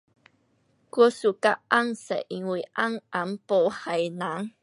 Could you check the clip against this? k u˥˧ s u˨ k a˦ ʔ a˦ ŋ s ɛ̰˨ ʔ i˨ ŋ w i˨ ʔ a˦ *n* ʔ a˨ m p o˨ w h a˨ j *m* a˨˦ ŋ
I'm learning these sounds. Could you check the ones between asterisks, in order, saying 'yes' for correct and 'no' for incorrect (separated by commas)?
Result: no, no